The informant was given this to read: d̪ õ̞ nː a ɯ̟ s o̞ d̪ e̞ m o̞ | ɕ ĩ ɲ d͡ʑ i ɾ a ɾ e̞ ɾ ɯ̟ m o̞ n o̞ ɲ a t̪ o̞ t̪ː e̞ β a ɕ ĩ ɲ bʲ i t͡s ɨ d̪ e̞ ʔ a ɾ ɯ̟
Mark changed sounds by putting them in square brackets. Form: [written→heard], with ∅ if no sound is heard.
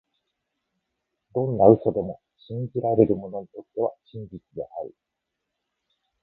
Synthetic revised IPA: d̪ õ̞ nː a ɯ̟ s o̞ d̪ e̞ m o̞ | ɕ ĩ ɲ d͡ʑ i ɾ a ɾ e̞ ɾ ɯ̟ m o̞ n o̞ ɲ [a→i] t̪ o̞ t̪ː e̞ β a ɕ ĩ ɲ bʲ i t͡s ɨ d̪ e̞ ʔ a ɾ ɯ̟

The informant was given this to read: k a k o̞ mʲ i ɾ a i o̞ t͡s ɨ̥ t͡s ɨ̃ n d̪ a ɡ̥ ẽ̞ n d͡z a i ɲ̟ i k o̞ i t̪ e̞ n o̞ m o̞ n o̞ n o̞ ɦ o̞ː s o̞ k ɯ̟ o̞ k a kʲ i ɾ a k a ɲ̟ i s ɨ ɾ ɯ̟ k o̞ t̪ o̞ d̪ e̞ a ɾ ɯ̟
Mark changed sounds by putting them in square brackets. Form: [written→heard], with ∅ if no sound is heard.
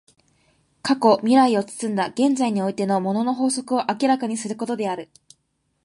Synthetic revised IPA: k a k o̞ mʲ i ɾ a i o̞ t͡s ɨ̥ t͡s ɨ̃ n d̪ a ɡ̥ ẽ̞ n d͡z a i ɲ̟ i [k→∅] o̞ i t̪ e̞ n o̞ m o̞ n o̞ n o̞ ɦ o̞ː s o̞ k ɯ̟ o̞ [k→ʔ] a kʲ i ɾ a k a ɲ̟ i s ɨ ɾ ɯ̟ k o̞ t̪ o̞ d̪ e̞ a ɾ ɯ̟

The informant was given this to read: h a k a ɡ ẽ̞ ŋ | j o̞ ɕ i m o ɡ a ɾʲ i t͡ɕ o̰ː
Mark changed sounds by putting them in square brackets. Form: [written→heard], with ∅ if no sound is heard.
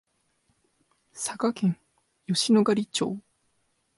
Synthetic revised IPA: [h→s] a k a [ɡ→k] ẽ̞ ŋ | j o̞ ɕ i [m→n] o ɡ a ɾʲ i t͡ɕ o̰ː

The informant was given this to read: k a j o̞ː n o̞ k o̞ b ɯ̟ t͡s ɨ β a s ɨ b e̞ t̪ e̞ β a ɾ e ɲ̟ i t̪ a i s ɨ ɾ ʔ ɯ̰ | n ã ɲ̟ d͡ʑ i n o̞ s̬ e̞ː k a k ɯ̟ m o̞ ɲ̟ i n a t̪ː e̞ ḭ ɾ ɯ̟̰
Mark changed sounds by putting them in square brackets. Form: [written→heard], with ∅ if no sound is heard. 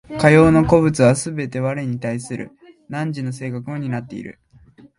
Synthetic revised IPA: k a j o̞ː n o̞ k o̞ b ɯ̟ t͡s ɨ β a s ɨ b e̞ t̪ e̞ β a ɾ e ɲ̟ i t̪ a i s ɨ ɾ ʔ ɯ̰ | n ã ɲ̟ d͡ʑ i n o̞ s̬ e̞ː k a k ɯ̟ m o̞ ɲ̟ i n a t̪ː e̞ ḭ ɾ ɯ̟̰

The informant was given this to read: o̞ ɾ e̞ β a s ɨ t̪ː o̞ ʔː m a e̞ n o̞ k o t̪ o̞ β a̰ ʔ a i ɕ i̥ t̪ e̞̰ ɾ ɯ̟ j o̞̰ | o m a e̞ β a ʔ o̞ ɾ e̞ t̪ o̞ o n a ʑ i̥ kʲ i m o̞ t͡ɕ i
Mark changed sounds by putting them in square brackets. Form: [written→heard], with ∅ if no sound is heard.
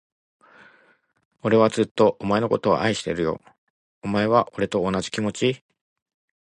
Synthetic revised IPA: o̞ ɾ e̞ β a [s→t͡s] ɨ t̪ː o̞ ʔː m a e̞ n o̞ k o t̪ o̞ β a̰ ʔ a i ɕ i̥ t̪ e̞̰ ɾ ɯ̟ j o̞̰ | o m a e̞ β a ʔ o̞ ɾ e̞ t̪ o̞ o n a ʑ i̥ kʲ i m o̞ t͡ɕ i

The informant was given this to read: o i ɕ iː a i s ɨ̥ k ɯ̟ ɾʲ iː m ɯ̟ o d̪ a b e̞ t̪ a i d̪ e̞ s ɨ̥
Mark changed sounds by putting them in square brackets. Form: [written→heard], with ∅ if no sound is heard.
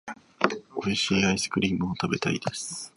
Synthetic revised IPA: o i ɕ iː a i s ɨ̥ k ɯ̟ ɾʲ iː m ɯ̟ o [d̪→t̪] a b e̞ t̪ a i d̪ e̞ s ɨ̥

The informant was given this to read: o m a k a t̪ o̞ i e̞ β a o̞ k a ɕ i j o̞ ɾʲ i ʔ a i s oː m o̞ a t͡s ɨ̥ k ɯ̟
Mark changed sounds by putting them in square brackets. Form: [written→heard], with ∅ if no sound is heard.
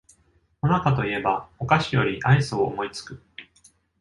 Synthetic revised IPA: o [m→n] a k a t̪ o̞ i e̞ [β→b] a o̞ k a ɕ i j o̞ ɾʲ i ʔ a i s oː m o̞ [a→i] t͡s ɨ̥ k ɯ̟

